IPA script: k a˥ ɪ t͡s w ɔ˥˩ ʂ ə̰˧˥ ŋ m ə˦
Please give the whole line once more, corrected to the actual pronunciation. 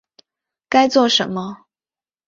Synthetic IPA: k a˥ ɪ t͡s w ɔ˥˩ ʂ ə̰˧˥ n m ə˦